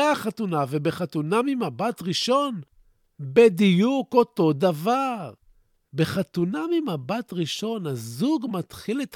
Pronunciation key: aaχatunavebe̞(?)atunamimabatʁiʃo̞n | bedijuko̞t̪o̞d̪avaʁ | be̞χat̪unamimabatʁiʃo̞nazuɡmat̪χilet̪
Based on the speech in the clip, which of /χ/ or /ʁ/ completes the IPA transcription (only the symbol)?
χ